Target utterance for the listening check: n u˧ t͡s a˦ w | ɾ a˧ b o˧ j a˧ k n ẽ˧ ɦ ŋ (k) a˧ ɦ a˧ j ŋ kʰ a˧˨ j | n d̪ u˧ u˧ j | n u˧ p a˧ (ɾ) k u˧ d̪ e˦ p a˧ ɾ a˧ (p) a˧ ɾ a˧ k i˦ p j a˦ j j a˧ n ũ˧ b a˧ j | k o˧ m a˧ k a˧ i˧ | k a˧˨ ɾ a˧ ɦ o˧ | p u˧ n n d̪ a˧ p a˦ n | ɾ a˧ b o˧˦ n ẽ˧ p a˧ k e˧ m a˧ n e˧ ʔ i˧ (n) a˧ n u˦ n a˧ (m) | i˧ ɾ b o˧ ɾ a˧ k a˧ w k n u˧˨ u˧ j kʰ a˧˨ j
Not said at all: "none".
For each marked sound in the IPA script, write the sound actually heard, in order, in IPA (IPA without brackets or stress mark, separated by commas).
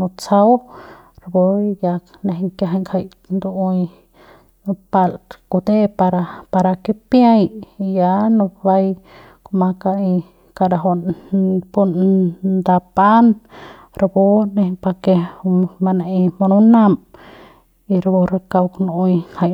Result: k, l, p, m, m